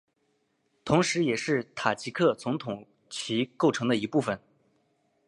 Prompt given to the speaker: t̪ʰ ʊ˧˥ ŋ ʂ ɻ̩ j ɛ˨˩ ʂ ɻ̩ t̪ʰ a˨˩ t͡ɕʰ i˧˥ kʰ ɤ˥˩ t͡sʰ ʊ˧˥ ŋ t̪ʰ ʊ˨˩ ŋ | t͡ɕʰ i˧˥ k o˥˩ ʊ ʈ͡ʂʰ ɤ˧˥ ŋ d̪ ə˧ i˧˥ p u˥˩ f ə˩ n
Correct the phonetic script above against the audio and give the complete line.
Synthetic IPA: t̪ʰ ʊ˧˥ ŋ ʂ ɻ̩ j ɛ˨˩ ʂ ɻ̩ t̪ʰ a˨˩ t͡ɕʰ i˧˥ kʰ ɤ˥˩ t͡s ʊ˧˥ ŋ t̪ʰ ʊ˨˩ ŋ | t͡ɕʰ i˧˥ k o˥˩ ʊ ʈ͡ʂʰ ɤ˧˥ ŋ d̪ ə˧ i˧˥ p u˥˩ f ə˩ n